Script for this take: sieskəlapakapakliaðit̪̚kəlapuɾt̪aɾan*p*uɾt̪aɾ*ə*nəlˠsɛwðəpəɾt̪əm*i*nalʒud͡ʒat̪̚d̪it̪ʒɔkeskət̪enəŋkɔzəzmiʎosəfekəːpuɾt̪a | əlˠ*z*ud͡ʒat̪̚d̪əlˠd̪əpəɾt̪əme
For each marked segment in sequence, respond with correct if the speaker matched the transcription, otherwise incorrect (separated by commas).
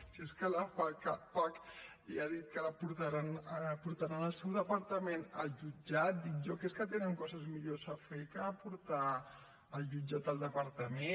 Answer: correct, incorrect, incorrect, incorrect